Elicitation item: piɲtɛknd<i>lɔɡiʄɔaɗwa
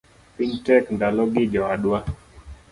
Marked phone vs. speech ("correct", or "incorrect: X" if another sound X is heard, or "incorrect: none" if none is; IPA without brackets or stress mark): incorrect: a